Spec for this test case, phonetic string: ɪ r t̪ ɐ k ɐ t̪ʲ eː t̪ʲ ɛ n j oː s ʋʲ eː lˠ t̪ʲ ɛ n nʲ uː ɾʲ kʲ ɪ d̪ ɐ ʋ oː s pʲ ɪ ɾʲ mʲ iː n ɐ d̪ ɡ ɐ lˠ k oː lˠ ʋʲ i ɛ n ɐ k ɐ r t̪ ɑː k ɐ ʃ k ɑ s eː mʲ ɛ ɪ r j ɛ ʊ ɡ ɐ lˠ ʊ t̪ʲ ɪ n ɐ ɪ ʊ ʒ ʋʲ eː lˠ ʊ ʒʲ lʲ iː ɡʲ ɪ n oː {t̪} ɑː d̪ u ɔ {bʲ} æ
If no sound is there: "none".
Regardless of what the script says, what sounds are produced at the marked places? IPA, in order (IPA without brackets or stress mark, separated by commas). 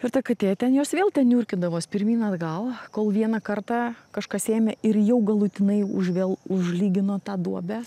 t̪, bʲ